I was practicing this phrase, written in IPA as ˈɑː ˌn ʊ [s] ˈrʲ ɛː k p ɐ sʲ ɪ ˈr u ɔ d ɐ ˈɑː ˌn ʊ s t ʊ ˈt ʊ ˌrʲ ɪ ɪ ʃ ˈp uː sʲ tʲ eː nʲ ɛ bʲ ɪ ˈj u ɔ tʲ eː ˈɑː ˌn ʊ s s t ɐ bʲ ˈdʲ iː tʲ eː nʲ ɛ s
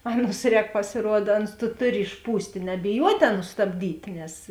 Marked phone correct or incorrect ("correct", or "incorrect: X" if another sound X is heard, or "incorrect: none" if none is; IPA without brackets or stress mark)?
correct